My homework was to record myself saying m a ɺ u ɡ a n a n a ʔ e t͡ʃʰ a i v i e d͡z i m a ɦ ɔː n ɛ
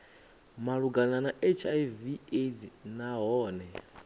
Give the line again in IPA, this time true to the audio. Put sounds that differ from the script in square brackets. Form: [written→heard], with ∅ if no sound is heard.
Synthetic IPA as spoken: m a ɺ u ɡ a n a n a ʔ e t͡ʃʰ a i v i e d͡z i [m→n] a ɦ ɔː n ɛ